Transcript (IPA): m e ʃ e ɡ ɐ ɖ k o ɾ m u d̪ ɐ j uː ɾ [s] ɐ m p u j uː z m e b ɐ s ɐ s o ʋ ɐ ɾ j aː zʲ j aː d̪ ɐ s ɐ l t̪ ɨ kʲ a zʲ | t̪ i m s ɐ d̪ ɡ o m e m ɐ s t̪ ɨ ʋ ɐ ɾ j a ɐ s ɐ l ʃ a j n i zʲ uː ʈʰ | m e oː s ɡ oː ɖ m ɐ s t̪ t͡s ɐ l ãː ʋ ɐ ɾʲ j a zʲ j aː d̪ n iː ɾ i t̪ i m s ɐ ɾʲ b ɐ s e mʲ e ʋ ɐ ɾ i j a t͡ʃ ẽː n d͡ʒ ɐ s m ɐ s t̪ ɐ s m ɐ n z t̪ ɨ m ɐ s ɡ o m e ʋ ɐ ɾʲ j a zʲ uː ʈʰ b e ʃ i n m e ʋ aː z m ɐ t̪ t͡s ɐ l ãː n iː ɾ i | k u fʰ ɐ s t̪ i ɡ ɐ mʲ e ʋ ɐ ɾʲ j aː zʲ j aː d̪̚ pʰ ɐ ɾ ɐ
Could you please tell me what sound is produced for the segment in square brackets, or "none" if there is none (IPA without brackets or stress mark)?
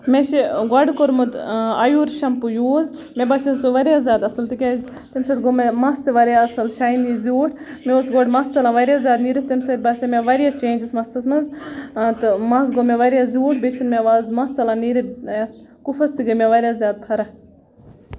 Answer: ʃ